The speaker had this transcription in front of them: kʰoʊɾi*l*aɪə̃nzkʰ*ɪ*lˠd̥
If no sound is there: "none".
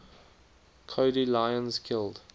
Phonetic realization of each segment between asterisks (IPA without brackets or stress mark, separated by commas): l, ɪ